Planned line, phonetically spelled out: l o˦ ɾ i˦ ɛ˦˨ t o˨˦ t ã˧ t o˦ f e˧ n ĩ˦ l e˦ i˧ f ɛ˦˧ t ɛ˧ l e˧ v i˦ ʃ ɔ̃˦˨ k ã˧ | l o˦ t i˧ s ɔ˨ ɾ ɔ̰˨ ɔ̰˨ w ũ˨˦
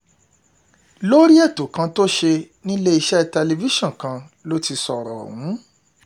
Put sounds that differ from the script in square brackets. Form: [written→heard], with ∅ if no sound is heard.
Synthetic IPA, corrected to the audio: l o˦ ɾ i˦ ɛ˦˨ t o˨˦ [t→k] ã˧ t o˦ [f→ʃ] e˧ n ĩ˦ l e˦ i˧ [f→ʃ] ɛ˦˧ t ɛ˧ l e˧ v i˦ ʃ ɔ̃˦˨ k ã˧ | l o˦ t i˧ s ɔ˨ ɾ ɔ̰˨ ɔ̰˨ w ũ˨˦